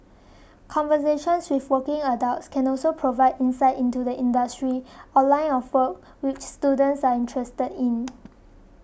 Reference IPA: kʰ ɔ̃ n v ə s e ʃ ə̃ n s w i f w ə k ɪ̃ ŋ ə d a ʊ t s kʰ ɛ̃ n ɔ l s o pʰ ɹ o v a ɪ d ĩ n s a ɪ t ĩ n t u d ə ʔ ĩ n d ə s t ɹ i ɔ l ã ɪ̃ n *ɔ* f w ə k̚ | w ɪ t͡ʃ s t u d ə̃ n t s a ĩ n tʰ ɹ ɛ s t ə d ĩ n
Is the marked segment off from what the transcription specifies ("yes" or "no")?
no